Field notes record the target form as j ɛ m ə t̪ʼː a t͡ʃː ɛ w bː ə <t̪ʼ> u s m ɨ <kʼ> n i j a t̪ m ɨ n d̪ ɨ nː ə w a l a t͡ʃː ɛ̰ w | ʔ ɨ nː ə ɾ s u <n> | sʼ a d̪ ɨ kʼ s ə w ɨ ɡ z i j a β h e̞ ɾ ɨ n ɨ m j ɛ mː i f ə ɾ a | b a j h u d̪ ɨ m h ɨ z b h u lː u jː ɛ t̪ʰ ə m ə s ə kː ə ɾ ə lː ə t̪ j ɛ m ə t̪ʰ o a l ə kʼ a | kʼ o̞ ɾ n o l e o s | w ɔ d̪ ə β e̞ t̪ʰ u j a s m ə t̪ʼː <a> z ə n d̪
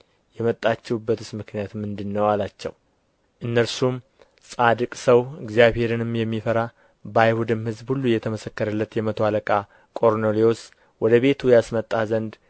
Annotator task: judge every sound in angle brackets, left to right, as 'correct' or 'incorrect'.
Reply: incorrect, incorrect, incorrect, correct

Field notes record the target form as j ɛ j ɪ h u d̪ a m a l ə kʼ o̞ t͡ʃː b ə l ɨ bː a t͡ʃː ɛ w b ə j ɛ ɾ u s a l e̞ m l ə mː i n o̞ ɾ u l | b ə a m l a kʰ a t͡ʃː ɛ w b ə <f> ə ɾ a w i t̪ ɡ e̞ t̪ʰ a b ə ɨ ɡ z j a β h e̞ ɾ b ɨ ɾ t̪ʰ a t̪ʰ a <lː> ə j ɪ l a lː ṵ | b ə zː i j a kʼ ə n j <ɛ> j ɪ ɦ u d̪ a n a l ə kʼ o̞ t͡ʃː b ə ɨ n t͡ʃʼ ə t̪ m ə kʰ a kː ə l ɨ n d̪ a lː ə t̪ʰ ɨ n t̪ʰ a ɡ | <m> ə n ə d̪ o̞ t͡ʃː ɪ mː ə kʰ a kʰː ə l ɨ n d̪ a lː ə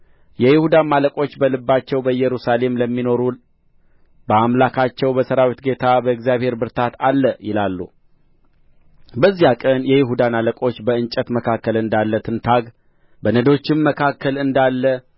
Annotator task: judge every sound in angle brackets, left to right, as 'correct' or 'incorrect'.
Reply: incorrect, correct, correct, incorrect

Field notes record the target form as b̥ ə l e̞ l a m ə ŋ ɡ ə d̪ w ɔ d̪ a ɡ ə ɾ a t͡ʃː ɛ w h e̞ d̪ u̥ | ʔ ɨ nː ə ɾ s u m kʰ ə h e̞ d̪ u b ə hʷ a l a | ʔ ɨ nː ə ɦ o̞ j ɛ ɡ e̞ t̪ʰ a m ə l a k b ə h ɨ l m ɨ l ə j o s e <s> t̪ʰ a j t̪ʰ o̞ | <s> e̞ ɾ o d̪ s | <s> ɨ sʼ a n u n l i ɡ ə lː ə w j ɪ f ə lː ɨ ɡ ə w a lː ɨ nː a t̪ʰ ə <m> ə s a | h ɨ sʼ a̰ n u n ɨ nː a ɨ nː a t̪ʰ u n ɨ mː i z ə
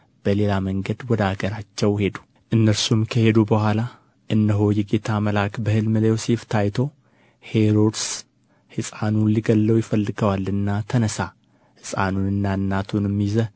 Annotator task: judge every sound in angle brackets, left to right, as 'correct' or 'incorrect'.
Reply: incorrect, incorrect, incorrect, incorrect

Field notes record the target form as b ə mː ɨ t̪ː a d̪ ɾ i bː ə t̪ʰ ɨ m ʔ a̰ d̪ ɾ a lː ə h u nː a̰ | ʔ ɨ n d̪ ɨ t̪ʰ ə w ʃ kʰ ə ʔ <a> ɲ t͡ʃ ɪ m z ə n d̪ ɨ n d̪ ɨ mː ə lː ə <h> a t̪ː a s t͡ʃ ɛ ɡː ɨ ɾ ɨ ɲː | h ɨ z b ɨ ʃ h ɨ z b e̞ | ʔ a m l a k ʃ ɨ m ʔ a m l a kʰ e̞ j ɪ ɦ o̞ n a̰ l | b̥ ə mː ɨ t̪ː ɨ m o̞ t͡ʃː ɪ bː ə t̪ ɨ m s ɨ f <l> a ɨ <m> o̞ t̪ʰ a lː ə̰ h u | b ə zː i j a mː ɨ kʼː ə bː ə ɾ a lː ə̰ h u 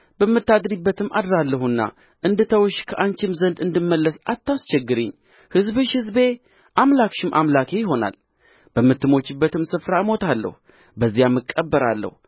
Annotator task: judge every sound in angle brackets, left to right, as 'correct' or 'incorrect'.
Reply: correct, incorrect, incorrect, correct

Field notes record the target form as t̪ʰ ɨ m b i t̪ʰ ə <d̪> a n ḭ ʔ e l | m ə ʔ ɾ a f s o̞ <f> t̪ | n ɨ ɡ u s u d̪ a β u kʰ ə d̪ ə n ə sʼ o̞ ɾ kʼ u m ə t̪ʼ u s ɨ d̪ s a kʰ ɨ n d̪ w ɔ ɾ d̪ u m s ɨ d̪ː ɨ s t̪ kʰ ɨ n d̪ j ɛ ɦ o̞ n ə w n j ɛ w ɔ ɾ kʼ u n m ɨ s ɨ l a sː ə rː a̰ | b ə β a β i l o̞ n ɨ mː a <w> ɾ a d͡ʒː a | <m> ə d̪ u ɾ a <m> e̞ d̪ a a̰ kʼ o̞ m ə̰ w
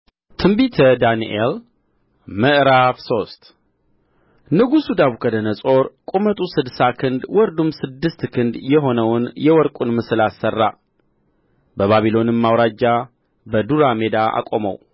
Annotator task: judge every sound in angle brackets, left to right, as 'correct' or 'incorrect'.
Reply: correct, incorrect, correct, incorrect, correct

